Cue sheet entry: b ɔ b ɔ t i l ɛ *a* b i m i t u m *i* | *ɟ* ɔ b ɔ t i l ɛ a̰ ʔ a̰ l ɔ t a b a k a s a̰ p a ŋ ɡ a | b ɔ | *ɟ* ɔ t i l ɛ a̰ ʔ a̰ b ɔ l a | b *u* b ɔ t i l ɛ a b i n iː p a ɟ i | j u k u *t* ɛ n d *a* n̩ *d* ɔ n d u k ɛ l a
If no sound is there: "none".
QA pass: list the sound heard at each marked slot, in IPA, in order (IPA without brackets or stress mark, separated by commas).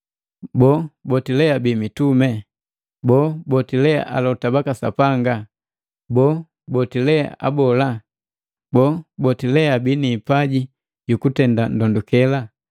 a, ɛ, b, b, ɔ, t, a, d